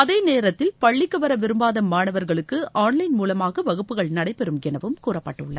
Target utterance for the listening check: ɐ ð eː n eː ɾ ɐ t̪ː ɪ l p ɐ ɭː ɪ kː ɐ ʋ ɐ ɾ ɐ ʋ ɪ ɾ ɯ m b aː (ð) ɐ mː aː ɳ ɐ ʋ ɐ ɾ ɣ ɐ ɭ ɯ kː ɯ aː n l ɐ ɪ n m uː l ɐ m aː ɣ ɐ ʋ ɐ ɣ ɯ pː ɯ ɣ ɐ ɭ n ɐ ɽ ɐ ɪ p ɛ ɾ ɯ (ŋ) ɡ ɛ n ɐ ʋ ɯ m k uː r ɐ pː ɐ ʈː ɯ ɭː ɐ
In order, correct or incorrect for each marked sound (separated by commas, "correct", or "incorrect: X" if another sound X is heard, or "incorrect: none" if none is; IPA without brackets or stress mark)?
correct, incorrect: m